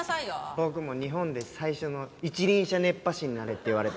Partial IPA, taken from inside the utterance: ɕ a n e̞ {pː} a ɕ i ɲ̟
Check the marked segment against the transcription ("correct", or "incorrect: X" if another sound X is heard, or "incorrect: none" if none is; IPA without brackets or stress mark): correct